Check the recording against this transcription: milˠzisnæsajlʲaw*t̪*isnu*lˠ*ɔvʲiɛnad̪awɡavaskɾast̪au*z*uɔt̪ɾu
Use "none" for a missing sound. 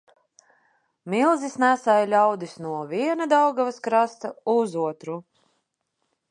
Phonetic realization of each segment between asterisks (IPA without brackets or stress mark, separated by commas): d̪, none, z